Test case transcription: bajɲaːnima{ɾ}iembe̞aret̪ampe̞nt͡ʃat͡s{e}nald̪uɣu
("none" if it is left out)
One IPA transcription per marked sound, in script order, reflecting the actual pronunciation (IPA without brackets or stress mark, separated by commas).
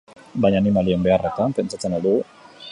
l, e